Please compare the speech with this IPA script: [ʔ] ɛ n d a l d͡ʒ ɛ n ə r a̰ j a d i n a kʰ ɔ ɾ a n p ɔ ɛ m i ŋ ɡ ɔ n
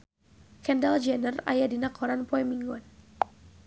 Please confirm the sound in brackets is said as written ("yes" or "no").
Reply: no